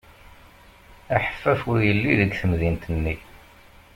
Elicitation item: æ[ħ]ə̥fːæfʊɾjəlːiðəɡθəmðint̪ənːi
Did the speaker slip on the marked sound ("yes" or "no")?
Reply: no